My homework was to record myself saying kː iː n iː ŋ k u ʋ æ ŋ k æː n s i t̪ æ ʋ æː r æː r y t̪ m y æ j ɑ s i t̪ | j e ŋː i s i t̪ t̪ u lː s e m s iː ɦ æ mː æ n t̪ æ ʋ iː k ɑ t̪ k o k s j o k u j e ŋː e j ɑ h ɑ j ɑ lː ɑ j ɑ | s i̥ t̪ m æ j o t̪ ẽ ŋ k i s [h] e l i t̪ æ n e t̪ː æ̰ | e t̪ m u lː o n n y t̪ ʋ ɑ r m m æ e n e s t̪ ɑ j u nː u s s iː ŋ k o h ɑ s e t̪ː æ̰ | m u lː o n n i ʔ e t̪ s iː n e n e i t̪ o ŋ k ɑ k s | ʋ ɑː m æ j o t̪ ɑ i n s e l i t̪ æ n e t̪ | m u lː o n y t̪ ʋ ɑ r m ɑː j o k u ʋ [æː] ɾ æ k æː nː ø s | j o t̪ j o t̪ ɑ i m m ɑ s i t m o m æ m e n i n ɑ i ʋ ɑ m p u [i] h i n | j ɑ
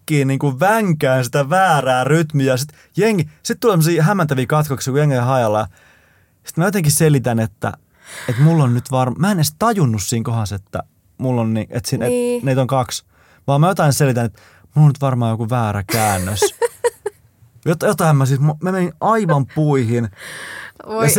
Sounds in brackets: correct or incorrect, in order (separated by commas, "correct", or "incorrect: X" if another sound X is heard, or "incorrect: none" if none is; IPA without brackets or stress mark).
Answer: incorrect: s, correct, correct